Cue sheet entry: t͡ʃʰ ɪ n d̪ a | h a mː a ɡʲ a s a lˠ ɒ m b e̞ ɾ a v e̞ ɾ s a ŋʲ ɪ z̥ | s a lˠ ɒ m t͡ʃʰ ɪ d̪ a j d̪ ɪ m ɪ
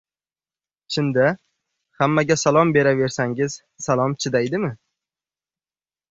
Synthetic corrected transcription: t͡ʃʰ ɪ n d̪ a | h a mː a ɡʲ a s a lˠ ɒ m b e̞ ɾ a v e̞ ɾ s a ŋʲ ɪ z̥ | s a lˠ ɒ m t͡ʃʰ ɪ d̪ a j d̪ ɪ m ɪ

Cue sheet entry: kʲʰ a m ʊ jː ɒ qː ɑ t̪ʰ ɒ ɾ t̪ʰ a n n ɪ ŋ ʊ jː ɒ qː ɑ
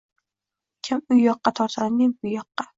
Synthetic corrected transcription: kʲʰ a m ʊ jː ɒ qː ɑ t̪ʰ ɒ ɾ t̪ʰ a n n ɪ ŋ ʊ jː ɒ qː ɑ

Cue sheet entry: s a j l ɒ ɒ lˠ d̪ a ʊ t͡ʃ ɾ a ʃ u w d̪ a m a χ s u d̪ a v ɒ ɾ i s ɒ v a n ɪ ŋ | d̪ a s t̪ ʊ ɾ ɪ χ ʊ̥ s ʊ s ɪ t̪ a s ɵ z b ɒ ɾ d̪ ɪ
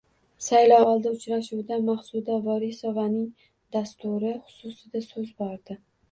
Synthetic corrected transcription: s a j l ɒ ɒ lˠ d̪ a ʊ t͡ʃ ɾ a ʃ u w d̪ a m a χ s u d̪ a v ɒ ɾ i s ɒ v a n ɪ ŋ | d̪ a s t̪ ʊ ɾ ɪ χ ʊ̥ s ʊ s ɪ d̪ a s ɵ z b ɒ ɾ d̪ ɪ

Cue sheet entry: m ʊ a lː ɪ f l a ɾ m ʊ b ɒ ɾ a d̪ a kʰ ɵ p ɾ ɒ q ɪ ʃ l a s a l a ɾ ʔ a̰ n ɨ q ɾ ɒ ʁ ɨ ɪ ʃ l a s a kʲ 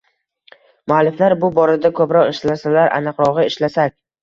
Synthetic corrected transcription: m ʊ a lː ɪ f l a ɾ b ʊ b ɒ ɾ a d̪ a kʰ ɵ p ɾ ɒ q ɪ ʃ l a s a l a ɾ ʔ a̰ n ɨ q ɾ ɒ ʁ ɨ ɪ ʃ l a s a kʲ

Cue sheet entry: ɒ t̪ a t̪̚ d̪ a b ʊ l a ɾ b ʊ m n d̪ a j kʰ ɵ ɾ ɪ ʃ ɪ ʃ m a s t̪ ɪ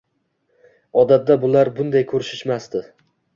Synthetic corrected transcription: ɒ d̪ a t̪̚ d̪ a b ʊ l a ɾ b ʊ n d̪ a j kʰ ɵ ɾ ɪ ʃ ɪ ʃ m a s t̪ ɪ

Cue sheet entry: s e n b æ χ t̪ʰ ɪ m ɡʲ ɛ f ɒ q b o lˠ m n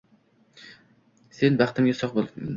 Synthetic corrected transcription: s e n b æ χ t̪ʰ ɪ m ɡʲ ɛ s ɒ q b o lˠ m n

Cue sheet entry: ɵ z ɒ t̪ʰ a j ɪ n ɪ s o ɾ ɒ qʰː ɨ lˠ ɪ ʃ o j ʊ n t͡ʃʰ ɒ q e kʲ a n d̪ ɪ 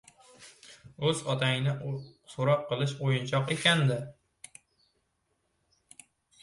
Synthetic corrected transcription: ɵ z ɒ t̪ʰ a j ɪ n ɪ s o ɾ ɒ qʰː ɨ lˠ ɪ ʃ o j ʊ n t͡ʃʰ ɒ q e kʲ a n d̪ ɪ

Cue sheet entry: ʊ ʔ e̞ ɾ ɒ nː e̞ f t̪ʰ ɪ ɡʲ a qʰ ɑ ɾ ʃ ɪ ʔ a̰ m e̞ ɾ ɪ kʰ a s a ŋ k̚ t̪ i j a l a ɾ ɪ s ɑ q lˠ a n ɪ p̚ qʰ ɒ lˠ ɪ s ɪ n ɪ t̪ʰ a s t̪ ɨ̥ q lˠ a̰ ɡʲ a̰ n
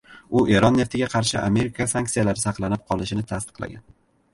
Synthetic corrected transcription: ʊ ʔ e̞ ɾ ɒ nː e̞ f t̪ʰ ɪ ɡʲ a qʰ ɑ ɾ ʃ ɪ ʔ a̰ m e̞ ɾ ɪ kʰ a s a ŋ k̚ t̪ i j a l a ɾ ɪ s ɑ q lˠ a n ɪ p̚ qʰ ɒ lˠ ɪ ʃ ɪ n ɪ t̪ʰ a s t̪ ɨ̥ q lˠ a̰ ɡʲ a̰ n

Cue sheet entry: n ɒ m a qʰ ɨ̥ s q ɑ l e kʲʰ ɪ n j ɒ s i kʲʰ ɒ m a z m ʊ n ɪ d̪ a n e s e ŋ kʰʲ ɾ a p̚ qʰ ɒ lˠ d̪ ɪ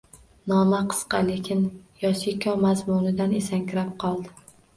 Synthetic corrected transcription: n ɒ m a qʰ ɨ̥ s q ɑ l e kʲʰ ɪ n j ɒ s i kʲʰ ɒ m a z m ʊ n ɪ d̪ a n e s a ŋ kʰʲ ɾ a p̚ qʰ ɒ lˠ d̪ ɪ

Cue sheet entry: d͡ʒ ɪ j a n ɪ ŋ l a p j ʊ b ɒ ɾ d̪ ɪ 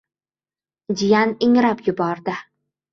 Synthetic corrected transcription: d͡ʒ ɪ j a n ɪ ŋ ɾ a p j ʊ b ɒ ɾ d̪ ɪ

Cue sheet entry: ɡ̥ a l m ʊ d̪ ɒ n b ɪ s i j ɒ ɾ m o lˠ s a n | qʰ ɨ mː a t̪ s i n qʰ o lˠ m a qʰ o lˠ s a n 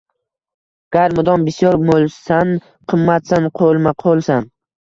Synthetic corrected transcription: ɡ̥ a ɾ m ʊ d̪ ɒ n b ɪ s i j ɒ ɾ m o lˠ s a n | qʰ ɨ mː a t̪ s a n qʰ o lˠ m a qʰ o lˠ s a n

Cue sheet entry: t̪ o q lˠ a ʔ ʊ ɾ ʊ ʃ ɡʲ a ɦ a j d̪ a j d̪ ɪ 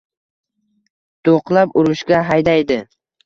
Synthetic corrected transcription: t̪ o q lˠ a p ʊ ɾ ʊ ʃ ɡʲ a ɦ a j d̪ a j d̪ ɪ

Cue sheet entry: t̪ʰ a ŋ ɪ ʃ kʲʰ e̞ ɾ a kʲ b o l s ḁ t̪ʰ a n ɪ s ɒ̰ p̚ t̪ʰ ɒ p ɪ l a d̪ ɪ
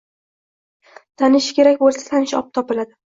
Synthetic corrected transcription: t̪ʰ a n ɪ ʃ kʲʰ e̞ ɾ a kʲ b o l s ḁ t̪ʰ a n ɪ ʃ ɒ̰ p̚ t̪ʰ ɒ p ɪ l a d̪ ɪ

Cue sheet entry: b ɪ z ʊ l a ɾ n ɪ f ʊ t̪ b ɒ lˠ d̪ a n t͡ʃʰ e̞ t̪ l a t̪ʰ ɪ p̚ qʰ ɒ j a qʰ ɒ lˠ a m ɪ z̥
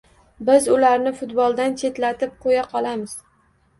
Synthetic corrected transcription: b ɪ z ʊ l a ɾ n ɪ f ʊ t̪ b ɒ lˠ d̪ a n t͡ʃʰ e̞ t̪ l a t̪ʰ ɪ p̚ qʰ o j a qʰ ɒ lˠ a m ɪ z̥

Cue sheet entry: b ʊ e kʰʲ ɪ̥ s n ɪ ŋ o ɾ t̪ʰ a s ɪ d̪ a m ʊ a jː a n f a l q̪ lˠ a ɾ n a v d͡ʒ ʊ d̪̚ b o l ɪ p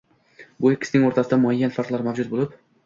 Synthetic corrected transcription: b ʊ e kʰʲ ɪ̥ s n ɪ ŋ o ɾ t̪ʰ a s ɪ d̪ a m ʊ a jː a n f a ɾ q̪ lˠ a ɾ m a v d͡ʒ ʊ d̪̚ b o l ɪ p

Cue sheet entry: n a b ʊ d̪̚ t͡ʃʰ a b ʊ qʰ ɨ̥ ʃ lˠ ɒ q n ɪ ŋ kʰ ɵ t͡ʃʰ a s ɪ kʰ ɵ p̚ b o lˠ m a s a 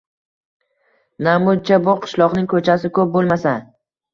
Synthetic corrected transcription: n a m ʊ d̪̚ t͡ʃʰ a b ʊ qʰ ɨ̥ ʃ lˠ ɒ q n ɪ ŋ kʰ ɵ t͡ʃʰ a s ɪ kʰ ɵ p̚ b o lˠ m a s a

